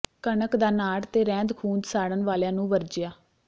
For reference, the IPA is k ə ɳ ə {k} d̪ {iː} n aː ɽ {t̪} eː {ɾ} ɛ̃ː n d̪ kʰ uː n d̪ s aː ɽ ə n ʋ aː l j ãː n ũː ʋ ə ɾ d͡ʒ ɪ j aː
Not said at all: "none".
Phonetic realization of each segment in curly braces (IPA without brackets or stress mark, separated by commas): k, aː, t̪, ɾ